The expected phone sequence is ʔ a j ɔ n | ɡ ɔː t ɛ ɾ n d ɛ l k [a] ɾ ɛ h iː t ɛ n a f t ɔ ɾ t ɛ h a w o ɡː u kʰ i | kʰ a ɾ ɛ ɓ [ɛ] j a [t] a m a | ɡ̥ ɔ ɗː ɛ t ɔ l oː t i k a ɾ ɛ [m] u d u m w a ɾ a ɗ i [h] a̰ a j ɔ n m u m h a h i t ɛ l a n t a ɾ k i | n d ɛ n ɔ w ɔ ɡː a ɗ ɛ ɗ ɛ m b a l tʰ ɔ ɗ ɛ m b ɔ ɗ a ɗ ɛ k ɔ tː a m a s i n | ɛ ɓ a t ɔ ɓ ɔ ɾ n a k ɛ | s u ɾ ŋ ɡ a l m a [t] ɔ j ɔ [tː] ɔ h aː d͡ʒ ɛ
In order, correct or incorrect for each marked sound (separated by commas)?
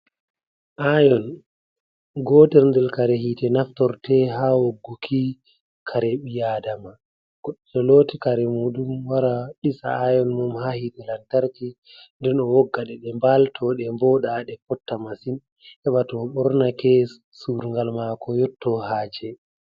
correct, incorrect, incorrect, correct, incorrect, incorrect, correct